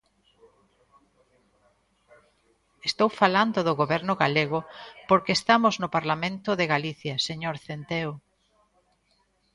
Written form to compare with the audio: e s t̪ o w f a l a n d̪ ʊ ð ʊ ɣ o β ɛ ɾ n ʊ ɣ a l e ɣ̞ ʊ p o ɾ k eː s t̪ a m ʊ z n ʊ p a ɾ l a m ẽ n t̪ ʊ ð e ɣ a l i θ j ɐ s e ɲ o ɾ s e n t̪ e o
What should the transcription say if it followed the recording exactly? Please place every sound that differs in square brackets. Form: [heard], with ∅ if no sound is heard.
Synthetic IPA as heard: e s t̪ o w f a l a n d̪ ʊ ð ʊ ɣ o β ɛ ɾ n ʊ ɣ a l e ɣ̞ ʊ p o ɾ k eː s t̪ a m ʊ z n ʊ p a ɾ l a m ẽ n t̪ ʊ ð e ɣ a l i θ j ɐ s e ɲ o ɾ [θ] e n t̪ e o